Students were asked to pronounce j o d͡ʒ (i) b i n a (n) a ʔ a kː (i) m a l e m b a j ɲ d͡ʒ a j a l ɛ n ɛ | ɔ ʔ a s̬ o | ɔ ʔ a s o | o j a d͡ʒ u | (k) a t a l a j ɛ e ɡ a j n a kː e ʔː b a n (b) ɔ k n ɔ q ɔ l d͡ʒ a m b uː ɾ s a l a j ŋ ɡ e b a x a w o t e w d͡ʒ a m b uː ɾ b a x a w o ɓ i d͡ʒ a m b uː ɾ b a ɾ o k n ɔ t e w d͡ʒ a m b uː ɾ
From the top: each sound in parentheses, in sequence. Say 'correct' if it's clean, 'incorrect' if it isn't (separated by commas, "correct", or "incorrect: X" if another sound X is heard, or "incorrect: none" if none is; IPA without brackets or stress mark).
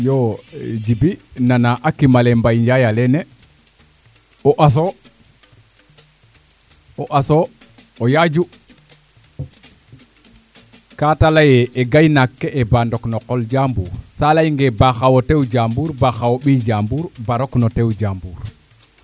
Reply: correct, correct, correct, correct, incorrect: d